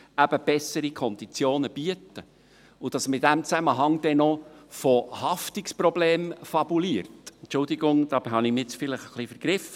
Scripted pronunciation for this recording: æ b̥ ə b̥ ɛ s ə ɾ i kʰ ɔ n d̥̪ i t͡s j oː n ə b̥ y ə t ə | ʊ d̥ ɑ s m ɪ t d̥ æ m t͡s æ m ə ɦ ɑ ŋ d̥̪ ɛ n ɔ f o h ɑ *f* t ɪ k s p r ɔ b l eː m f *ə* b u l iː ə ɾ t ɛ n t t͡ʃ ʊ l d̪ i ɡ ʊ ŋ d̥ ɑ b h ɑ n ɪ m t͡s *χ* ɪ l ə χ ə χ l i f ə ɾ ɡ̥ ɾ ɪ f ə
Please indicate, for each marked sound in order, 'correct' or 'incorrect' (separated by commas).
correct, incorrect, incorrect